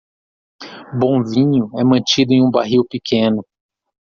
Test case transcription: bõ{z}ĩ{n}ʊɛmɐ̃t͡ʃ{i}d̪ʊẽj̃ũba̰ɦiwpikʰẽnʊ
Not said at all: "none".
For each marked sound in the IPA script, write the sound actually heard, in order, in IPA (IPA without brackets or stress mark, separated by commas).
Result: v, ɲ, i